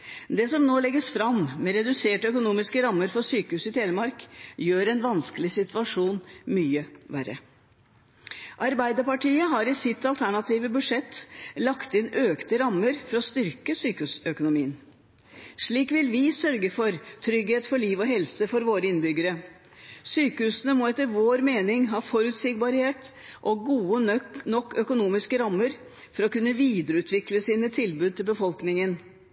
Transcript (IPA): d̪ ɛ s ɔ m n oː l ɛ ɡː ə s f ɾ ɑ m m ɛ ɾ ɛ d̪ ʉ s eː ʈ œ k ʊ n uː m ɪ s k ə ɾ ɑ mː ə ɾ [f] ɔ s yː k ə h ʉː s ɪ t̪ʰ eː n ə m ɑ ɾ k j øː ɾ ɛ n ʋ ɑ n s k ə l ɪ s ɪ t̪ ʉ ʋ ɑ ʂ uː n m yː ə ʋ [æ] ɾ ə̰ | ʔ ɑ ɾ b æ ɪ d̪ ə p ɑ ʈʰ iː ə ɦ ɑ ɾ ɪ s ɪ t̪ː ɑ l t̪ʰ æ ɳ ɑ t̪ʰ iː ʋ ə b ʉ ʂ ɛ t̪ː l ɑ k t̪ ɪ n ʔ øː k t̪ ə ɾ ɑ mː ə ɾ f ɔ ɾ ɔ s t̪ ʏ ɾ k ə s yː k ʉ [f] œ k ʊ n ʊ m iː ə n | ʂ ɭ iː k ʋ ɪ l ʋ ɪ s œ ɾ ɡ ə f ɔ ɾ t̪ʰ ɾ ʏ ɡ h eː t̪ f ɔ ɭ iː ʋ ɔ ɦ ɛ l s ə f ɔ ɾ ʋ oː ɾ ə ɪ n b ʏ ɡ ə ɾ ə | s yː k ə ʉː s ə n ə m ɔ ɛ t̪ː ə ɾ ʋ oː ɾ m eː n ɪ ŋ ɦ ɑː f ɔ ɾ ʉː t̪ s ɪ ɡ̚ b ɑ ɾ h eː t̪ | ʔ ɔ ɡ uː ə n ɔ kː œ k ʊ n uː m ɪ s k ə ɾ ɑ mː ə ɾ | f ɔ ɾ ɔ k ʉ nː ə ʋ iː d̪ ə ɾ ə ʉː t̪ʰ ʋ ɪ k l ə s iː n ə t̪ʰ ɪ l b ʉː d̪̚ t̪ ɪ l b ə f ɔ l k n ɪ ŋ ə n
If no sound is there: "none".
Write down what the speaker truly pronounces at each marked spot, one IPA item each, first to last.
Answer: f, æ, s

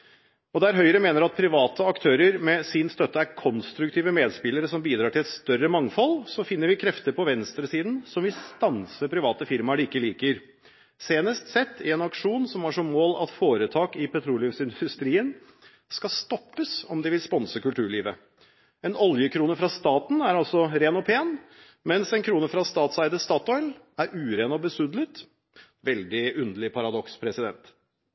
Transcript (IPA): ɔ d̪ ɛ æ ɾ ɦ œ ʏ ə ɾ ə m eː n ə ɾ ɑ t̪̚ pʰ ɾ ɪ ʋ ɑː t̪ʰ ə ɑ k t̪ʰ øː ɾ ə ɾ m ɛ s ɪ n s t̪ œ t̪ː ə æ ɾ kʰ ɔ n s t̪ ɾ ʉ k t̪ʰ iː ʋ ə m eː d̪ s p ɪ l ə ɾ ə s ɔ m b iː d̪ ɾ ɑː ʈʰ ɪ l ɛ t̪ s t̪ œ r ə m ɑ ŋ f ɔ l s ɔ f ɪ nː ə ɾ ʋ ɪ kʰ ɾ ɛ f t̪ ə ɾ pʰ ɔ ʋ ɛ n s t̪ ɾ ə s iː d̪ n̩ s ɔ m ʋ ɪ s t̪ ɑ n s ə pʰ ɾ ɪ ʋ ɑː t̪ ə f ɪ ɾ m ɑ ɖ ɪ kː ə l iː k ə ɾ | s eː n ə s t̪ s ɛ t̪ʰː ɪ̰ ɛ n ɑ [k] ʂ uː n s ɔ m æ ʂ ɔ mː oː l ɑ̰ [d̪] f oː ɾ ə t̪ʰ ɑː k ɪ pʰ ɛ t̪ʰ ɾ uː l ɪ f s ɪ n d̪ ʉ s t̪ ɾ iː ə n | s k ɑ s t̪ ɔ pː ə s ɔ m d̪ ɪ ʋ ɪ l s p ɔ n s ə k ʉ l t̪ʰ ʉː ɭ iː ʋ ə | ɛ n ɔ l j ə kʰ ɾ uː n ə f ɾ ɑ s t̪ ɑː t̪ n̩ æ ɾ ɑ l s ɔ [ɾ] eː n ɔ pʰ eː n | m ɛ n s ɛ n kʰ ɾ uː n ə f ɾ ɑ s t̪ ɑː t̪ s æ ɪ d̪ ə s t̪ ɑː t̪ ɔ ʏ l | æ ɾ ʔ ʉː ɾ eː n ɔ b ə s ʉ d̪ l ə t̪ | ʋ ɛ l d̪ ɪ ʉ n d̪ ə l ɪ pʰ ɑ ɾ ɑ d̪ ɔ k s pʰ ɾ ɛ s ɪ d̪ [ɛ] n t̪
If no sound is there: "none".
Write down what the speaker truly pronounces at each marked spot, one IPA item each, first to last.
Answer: k, t̪, ɾ, ɛ

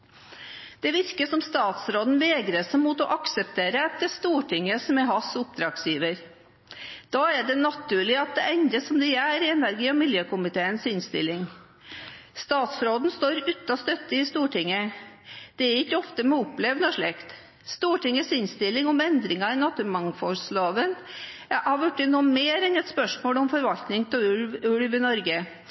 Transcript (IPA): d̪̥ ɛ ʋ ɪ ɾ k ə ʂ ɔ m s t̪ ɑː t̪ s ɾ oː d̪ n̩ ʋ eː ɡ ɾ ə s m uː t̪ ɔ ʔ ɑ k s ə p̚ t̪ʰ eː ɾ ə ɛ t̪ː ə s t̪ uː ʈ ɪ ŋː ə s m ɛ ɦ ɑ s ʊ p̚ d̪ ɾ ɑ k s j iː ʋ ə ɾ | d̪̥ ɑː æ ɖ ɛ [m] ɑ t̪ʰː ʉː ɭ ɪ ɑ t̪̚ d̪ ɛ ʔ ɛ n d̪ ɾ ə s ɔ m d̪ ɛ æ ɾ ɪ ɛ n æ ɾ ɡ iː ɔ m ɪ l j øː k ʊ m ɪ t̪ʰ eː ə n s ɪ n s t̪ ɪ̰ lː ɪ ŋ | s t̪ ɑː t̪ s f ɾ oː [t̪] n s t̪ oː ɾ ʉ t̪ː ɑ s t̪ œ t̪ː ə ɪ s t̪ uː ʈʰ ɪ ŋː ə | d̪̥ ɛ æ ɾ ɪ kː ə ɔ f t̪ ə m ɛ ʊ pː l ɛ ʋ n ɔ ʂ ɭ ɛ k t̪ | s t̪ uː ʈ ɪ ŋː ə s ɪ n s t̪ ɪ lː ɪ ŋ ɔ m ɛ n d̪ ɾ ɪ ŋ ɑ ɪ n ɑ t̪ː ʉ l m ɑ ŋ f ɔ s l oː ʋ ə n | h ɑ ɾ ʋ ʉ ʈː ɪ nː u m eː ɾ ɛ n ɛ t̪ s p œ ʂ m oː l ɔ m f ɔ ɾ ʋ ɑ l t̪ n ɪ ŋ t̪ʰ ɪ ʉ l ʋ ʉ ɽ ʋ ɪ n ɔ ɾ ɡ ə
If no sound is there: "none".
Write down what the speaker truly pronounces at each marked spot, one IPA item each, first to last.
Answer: n, d̪

